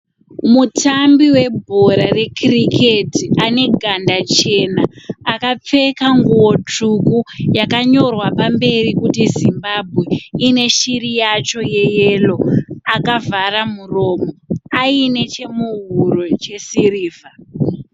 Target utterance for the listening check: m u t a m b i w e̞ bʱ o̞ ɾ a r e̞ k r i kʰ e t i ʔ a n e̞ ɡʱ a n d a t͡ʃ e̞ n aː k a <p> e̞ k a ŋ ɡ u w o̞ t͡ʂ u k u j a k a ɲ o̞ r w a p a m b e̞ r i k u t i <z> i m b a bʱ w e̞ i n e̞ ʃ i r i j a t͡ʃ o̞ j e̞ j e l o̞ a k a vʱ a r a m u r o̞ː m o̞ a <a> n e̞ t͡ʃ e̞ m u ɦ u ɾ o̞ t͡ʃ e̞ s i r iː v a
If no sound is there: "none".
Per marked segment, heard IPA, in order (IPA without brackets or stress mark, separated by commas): p͡f, z, i